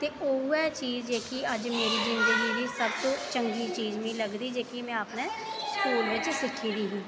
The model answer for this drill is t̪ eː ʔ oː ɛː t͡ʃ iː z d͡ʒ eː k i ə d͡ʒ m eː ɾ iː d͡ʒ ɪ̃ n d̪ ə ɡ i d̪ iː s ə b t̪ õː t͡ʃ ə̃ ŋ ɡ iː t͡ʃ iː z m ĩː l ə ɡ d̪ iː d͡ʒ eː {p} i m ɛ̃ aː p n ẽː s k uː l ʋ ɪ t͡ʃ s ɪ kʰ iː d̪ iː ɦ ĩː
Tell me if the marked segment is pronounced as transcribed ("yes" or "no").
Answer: no